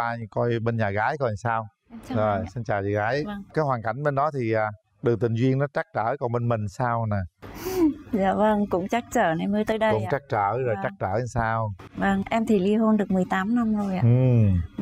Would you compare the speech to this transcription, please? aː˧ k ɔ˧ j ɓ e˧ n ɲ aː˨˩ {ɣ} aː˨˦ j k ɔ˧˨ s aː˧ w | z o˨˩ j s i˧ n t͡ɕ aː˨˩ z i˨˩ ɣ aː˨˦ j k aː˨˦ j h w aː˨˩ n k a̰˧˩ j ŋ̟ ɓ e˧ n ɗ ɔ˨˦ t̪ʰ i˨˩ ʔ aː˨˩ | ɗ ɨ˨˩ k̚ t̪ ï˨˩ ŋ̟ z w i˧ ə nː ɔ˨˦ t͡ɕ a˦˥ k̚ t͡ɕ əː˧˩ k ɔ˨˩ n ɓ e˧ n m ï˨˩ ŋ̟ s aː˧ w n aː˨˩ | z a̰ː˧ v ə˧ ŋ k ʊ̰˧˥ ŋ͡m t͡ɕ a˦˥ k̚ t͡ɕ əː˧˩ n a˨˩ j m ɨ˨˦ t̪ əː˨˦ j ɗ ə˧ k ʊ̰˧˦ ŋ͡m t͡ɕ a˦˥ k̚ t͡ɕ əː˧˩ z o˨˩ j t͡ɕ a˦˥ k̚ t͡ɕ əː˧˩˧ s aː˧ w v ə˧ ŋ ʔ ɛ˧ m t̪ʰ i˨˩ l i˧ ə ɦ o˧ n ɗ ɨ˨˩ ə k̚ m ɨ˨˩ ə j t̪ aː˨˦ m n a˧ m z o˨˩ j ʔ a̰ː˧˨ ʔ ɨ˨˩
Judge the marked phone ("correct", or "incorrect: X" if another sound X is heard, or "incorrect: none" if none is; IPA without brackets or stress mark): correct